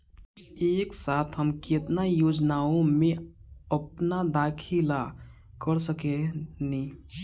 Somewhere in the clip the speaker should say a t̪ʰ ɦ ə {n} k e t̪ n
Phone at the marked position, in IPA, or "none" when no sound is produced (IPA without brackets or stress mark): m